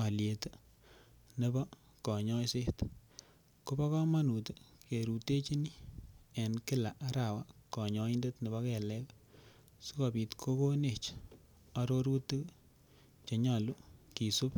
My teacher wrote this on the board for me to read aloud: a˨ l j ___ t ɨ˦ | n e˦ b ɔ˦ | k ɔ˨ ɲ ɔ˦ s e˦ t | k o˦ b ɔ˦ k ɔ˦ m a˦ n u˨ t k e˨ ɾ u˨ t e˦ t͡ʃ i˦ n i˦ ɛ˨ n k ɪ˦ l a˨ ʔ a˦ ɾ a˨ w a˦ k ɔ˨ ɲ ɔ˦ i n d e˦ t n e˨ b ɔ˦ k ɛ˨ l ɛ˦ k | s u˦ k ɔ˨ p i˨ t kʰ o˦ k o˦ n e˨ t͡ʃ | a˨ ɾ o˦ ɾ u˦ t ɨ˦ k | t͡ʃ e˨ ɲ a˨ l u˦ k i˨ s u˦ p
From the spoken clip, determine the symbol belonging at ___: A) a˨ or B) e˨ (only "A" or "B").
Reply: B